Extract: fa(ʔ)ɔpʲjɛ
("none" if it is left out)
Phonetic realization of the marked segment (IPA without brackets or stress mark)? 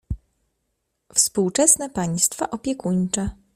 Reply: ʔ